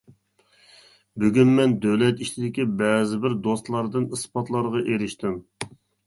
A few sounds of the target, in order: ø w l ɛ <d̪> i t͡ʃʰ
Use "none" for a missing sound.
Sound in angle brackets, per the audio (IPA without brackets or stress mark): t̪